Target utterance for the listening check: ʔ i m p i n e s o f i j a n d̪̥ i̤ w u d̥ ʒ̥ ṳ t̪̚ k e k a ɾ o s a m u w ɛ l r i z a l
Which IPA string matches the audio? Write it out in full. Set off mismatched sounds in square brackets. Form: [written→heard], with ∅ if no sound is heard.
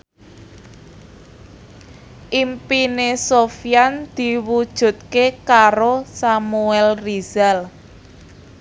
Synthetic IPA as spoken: ʔ i m p i n e s o f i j a n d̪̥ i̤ w u d̥ ʒ̥ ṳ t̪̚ k e k a ɾ o s a m u [w→∅] ɛ l r i z a l